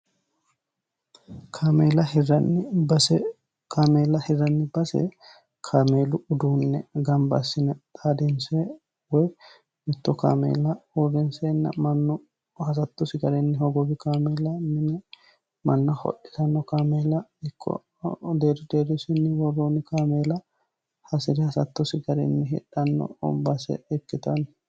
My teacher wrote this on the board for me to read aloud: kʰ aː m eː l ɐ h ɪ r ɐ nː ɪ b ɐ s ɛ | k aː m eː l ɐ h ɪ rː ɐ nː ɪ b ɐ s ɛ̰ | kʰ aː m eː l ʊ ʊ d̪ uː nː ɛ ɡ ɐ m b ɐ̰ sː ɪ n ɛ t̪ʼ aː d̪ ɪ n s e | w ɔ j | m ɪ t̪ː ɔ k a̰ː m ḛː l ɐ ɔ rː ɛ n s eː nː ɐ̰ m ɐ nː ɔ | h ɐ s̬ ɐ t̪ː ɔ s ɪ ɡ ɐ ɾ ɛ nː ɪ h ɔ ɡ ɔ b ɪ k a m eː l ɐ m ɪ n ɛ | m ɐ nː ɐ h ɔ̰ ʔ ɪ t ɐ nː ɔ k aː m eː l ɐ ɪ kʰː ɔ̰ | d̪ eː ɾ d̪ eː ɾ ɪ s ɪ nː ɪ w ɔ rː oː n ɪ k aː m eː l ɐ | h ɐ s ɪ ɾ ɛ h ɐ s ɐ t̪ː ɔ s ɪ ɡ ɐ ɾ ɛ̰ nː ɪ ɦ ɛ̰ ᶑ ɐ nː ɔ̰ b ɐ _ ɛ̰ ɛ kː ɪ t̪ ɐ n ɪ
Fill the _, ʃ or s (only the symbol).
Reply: s